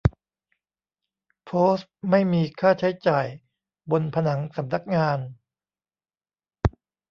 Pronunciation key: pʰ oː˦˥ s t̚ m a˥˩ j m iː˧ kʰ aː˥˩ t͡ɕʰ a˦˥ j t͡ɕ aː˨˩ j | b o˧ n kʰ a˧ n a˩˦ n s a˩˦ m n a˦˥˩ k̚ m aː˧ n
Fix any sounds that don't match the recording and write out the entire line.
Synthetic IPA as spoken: pʰ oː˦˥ s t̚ m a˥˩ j m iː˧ kʰ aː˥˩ t͡ɕʰ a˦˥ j t͡ɕ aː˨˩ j | b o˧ n pʰ a˧ n a˩˦ ŋ s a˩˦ m n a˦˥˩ k̚ ŋ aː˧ n